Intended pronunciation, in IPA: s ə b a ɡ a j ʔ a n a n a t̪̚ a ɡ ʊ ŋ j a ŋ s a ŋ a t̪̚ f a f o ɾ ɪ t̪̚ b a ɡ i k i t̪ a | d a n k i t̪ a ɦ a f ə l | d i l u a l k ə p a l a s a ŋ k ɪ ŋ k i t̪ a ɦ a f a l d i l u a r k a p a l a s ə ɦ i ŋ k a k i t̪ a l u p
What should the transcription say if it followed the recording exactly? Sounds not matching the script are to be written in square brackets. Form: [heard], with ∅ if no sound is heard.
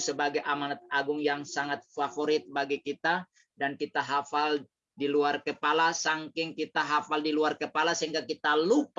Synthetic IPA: s ə b a ɡ a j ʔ a [m] a n a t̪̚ a ɡ ʊ ŋ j a ŋ s a ŋ a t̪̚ f a f o ɾ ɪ t̪̚ b a ɡ i k i t̪ a | d a n k i t̪ a ɦ a f [a] l | d i l u a [r] k ə p a l a s a ŋ k ɪ ŋ k i t̪ a ɦ a f a l d i l u a r k [ə] p a l a s ə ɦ i ŋ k a k i t̪ a l u p